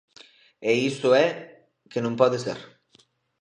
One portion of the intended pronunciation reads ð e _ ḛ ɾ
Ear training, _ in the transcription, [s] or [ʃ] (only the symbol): s